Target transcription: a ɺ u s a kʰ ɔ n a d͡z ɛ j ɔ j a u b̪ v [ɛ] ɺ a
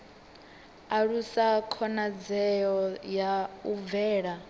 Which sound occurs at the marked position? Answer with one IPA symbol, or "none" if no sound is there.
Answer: ɛː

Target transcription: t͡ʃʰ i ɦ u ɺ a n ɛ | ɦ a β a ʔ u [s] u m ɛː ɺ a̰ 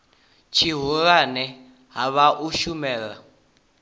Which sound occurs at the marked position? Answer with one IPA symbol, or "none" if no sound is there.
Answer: ʃ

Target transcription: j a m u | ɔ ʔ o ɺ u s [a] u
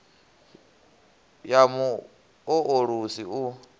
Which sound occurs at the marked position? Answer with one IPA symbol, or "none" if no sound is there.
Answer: i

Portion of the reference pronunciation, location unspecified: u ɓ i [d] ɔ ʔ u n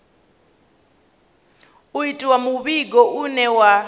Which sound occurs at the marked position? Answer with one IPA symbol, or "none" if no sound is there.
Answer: ɡ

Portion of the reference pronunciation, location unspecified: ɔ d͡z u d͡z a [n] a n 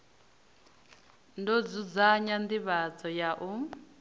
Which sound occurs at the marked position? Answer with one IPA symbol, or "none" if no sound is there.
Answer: ɲ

